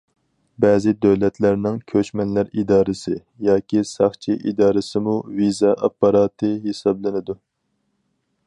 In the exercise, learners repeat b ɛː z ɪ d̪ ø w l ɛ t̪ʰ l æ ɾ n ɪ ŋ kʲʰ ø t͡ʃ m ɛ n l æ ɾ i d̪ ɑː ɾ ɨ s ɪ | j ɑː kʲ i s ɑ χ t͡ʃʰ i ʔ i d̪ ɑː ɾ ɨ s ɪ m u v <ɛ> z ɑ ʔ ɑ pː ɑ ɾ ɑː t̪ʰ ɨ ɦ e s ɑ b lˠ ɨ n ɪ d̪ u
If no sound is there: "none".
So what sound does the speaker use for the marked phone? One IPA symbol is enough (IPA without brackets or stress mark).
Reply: i